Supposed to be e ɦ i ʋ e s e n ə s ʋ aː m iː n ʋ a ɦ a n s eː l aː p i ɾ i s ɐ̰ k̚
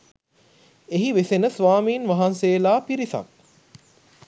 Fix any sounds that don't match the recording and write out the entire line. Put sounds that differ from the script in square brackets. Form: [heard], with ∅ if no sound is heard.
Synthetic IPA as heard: e ɦ i ʋ e s e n ə s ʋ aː m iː n ʋ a ɦ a n s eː l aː p i ɾ i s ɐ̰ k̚